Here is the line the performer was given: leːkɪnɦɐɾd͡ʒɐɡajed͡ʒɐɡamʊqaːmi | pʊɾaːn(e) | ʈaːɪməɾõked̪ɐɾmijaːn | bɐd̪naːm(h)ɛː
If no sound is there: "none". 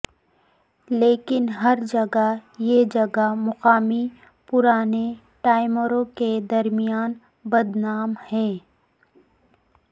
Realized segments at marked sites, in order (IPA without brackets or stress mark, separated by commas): e, h